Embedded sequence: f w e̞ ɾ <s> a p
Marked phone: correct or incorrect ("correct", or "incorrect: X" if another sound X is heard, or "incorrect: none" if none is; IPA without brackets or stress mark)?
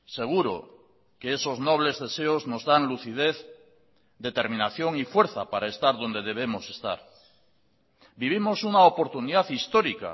incorrect: θ